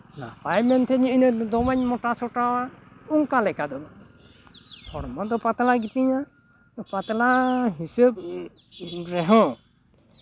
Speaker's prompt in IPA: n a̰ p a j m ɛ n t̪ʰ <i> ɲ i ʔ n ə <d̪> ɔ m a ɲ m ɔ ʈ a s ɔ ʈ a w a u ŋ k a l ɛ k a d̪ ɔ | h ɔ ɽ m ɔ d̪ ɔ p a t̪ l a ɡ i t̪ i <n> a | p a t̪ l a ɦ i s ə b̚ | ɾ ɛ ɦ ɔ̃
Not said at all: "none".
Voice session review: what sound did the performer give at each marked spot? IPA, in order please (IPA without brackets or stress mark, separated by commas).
ɛ, d̪, ɲ